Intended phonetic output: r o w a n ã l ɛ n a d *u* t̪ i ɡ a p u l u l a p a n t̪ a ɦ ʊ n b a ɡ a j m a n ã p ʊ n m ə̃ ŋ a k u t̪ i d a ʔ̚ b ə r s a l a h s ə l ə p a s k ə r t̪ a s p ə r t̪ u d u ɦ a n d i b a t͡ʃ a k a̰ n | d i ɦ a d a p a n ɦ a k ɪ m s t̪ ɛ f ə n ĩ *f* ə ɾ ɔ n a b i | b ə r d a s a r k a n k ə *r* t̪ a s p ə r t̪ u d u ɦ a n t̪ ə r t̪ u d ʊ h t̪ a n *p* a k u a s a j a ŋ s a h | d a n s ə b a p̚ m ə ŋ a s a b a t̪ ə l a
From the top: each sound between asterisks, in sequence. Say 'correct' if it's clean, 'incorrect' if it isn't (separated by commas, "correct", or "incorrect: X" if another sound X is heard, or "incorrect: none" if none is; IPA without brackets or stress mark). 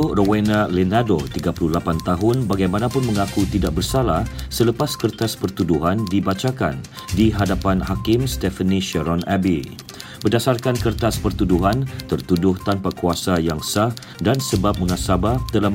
incorrect: o, incorrect: ʃ, correct, correct